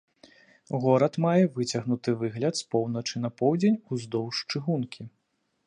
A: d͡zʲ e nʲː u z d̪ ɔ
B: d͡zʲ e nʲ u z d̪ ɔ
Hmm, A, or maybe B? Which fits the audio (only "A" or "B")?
B